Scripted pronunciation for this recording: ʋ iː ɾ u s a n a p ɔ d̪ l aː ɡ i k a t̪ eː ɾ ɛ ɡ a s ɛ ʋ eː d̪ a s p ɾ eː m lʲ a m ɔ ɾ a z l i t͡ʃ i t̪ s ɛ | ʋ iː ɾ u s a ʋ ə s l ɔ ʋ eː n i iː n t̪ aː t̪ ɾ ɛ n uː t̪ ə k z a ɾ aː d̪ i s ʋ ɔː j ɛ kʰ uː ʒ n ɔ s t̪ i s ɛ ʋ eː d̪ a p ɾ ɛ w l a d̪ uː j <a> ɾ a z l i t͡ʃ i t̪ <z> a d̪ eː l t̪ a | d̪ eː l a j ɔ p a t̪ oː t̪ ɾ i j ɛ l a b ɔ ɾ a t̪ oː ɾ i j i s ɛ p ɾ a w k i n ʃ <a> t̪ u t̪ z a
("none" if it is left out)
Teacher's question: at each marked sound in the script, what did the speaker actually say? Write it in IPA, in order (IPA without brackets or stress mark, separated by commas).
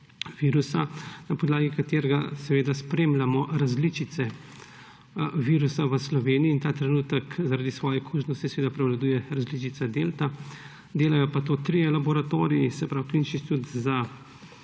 ɛ, s, i